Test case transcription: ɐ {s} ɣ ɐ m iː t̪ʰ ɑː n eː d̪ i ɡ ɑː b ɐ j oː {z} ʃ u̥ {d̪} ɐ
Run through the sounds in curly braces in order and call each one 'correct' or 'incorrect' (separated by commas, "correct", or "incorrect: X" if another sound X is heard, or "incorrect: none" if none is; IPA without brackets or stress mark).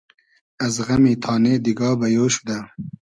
incorrect: z, incorrect: none, correct